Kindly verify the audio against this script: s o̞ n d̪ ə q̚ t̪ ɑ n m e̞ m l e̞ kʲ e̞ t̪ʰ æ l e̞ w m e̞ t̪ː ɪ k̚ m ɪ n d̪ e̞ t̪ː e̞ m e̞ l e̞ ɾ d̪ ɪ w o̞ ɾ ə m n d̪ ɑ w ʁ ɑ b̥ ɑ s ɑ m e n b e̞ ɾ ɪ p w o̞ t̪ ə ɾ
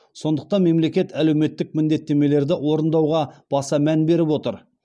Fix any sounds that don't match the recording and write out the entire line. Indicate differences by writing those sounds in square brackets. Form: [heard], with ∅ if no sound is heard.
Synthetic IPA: s o̞ n d̪ ə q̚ t̪ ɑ n m e̞ m l e̞ kʲ e̞ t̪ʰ æ l e̞ w m e̞ t̪ː ɪ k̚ m ɪ n d̪ e̞ t̪ː e̞ m e̞ l e̞ ɾ d̪ ɪ w o̞ ɾ ə [∅] n d̪ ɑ w ʁ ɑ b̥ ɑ s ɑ m [æ] n b e̞ ɾ ɪ p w o̞ t̪ ə ɾ